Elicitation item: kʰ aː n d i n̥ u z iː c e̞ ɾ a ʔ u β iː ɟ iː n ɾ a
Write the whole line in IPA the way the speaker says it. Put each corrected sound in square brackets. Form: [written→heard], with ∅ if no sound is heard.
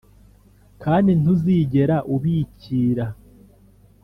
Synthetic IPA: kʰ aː n d i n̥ u z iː [c→ɟ] e̞ ɾ a ʔ u β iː [ɟ→c] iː [n→∅] ɾ a